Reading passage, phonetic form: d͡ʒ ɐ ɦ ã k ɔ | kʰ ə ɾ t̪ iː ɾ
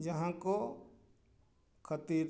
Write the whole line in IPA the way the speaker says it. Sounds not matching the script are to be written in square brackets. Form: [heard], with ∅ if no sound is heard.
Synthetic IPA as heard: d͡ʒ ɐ ɦ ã k [o] | kʰ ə [∅] t̪ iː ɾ